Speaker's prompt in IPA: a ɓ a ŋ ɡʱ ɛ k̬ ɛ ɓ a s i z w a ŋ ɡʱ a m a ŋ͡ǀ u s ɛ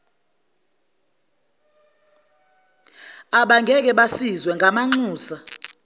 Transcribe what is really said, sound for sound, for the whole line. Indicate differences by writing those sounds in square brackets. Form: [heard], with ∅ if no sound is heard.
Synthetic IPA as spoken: a ɓ a ŋ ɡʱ ɛ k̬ ɛ ɓ a s i z w [ɛ] ŋ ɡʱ a m a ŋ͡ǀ [uː] s [a]